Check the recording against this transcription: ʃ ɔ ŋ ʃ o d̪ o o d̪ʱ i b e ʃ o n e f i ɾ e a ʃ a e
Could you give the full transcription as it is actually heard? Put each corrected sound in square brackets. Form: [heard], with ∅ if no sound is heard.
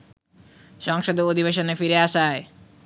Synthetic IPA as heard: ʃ ɔ ŋ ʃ o d̪ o o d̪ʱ i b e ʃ o n e f i ɾ e a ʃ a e